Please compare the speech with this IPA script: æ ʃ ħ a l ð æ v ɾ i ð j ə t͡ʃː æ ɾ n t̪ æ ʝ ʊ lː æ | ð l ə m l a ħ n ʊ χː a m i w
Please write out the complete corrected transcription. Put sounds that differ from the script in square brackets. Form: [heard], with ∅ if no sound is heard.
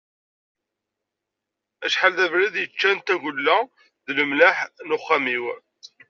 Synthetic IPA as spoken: æ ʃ ħ a l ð æ v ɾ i ð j ə t͡ʃː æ [∅] n t̪ æ ʝ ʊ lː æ | ð l ə m l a ħ n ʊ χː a m i w